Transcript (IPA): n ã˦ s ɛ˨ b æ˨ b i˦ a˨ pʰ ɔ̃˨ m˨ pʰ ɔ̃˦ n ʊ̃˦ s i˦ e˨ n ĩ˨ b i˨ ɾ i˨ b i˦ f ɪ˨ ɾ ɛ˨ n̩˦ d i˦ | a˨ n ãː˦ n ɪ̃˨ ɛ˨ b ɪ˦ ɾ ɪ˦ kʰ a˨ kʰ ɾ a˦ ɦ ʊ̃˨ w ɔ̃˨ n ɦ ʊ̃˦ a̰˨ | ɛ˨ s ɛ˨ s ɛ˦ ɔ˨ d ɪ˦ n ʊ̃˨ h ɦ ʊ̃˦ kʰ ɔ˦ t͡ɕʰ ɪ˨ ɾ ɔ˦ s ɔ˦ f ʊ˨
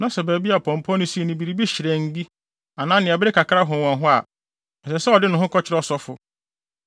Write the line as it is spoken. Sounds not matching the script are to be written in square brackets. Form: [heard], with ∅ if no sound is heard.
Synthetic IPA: n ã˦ s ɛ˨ b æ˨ b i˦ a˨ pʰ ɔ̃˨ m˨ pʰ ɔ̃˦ n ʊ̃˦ s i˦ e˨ n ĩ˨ b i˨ ɾ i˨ b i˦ [ɕ] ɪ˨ ɾ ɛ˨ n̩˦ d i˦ | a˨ n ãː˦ n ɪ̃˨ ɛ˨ b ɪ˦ ɾ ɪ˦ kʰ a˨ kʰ ɾ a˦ ɦ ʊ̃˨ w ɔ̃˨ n ɦ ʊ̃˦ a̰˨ | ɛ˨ s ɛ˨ s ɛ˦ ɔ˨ d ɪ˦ n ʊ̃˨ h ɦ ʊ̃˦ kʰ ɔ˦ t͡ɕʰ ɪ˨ ɾ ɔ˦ s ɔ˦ f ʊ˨